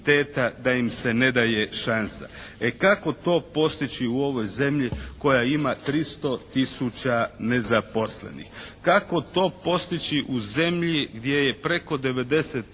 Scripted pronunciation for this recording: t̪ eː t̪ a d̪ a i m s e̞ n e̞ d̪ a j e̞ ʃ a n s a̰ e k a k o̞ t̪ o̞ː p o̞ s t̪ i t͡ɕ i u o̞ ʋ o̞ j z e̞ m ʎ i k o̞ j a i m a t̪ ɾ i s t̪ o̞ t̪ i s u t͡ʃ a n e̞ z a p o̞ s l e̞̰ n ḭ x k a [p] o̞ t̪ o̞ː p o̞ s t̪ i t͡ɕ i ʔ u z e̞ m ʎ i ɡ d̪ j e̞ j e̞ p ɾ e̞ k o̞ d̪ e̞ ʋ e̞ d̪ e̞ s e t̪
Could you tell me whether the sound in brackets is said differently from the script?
yes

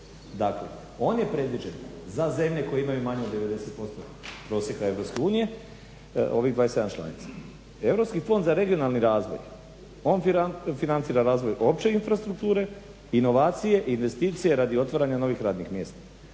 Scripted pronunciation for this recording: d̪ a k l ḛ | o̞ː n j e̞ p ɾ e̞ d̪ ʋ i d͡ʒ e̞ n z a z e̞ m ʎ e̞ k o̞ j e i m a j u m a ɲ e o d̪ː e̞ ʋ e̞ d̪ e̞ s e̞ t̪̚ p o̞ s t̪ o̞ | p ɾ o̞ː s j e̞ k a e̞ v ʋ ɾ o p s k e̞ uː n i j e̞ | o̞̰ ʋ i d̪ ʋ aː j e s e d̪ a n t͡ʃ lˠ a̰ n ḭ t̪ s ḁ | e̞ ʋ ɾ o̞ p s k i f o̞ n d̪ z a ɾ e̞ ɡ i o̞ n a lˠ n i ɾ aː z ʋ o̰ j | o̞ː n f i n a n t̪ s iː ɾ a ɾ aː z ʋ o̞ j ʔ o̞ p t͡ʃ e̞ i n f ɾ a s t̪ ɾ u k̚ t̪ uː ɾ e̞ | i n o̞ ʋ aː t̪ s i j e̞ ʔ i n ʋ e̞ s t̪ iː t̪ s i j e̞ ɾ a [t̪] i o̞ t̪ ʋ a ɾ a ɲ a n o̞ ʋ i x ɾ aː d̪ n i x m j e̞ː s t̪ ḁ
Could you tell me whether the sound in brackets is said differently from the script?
yes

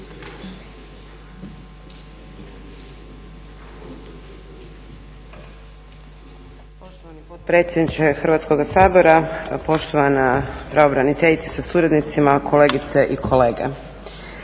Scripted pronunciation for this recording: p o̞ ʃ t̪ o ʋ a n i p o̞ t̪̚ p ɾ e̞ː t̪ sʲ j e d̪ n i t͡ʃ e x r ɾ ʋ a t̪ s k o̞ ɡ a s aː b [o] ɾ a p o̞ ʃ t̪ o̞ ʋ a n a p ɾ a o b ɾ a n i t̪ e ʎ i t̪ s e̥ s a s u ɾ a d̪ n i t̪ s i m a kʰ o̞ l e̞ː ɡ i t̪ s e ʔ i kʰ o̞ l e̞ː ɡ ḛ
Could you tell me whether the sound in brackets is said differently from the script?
no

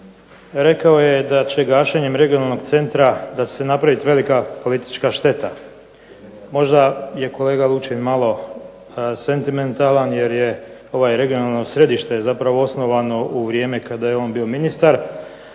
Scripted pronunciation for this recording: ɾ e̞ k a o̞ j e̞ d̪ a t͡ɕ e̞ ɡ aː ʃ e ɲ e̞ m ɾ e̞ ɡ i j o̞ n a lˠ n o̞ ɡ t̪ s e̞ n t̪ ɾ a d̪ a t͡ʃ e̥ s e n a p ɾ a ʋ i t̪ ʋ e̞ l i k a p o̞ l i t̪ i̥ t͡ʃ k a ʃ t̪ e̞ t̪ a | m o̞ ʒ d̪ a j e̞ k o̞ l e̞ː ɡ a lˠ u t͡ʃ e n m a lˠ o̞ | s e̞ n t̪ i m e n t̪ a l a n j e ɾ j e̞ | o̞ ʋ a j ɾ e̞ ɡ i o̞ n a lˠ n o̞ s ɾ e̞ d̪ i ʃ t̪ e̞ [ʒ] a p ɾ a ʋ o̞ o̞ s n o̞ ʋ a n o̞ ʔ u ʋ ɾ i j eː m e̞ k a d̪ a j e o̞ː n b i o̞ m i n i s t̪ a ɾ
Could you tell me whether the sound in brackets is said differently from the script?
yes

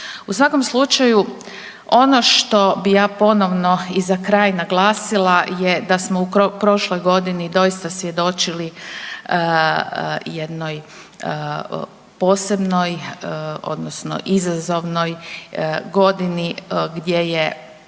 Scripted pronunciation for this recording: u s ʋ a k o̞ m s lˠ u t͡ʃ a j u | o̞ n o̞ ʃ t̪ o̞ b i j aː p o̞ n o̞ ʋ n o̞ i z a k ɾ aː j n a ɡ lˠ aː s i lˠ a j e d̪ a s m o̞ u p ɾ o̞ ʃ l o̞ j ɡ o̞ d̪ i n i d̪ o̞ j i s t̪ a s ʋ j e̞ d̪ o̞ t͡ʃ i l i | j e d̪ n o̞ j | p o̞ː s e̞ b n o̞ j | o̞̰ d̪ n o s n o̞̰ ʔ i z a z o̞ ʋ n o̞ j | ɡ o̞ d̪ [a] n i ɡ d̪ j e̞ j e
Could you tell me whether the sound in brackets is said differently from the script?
yes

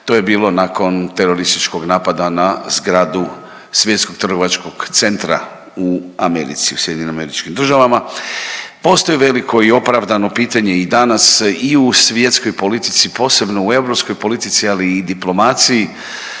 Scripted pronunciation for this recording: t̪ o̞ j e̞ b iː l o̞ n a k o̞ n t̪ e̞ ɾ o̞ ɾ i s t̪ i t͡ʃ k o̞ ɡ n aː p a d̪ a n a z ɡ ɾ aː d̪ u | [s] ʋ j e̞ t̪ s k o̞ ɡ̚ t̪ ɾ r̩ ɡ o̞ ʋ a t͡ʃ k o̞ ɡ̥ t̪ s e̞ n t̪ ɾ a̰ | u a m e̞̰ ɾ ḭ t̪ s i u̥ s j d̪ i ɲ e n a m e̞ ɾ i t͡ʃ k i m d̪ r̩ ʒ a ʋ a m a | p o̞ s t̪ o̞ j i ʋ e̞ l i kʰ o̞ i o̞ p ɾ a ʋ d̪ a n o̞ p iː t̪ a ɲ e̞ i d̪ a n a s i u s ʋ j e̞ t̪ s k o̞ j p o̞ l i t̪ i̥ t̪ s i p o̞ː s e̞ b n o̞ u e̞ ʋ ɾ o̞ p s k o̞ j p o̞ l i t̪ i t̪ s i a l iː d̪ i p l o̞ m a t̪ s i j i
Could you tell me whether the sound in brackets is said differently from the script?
no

